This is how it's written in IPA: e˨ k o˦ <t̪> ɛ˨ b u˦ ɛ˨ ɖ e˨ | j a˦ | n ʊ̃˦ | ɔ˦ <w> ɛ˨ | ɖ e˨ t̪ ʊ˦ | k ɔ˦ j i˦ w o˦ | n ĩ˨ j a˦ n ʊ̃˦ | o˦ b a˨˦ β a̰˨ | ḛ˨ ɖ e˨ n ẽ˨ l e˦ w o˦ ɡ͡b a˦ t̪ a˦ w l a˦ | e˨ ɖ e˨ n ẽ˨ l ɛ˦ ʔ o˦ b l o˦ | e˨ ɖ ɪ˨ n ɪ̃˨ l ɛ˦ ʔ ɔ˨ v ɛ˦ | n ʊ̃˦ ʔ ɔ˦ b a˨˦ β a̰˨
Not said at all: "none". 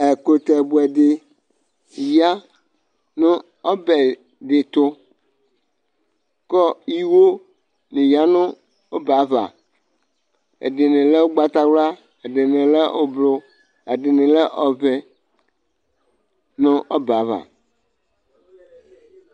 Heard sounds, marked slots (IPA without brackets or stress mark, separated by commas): t̪, b